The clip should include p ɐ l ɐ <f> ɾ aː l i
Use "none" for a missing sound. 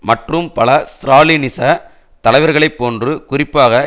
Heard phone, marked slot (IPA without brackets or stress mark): s